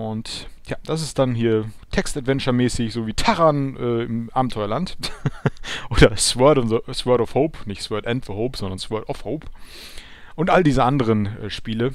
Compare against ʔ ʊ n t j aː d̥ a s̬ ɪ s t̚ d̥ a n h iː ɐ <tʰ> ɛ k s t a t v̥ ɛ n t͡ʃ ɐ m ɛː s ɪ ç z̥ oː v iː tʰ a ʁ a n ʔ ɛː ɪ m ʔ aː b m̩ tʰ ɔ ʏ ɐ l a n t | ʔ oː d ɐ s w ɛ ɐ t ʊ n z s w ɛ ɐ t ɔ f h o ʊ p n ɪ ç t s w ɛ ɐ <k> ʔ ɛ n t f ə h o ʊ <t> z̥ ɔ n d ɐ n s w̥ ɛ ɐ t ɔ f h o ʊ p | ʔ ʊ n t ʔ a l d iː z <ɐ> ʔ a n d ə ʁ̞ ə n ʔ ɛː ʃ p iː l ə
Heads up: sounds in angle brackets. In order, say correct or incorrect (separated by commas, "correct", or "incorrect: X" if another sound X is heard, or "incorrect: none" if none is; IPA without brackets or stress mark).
correct, incorrect: t, incorrect: p, incorrect: ə